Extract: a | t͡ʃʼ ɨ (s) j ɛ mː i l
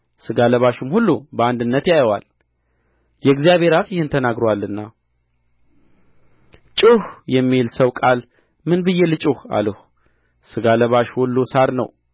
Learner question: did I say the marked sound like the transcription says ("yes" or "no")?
no